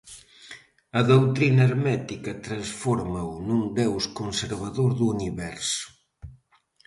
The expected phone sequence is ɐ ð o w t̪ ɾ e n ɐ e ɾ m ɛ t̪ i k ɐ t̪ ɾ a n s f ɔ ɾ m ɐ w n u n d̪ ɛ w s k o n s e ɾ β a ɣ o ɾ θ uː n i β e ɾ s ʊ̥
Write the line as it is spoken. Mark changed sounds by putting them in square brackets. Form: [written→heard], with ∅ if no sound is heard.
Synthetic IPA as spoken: ɐ ð o w t̪ ɾ [e→i] n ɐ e ɾ m ɛ t̪ i k ɐ t̪ ɾ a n s f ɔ ɾ m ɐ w n u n d̪ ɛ w s k o n s e ɾ β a [ɣ→ð] o ɾ [θ→ð] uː n i β [e→ɛ] ɾ s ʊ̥